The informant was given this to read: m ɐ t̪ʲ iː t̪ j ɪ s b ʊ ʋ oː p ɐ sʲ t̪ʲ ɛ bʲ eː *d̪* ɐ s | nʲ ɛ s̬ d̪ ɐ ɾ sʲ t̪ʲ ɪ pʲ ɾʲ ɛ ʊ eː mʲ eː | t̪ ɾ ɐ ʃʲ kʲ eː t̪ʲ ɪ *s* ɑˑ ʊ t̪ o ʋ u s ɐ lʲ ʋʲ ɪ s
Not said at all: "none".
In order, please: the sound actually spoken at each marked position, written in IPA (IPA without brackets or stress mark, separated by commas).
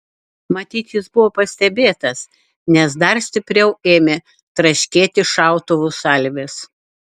t̪, ʃ